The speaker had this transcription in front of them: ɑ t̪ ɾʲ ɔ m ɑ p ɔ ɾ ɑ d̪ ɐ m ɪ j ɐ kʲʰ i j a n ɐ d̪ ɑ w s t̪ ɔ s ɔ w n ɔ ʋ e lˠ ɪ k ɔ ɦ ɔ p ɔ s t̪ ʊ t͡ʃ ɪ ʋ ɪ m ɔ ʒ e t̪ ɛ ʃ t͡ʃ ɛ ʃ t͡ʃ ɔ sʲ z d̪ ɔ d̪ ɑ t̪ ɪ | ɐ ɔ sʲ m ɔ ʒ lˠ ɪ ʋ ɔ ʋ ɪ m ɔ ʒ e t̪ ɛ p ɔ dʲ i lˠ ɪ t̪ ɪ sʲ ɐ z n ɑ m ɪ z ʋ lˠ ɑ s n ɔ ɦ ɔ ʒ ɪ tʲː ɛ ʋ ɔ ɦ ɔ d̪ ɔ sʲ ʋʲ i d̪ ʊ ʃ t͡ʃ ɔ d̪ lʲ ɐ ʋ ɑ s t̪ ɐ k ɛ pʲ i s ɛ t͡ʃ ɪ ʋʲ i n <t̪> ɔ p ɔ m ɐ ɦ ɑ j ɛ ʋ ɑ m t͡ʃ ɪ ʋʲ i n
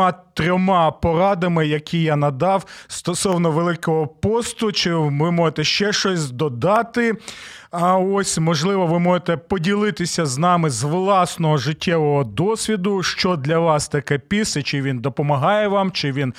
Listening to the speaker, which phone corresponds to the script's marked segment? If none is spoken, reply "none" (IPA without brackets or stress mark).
d̪